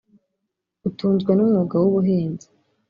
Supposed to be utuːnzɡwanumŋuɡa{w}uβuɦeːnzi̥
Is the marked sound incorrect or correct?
correct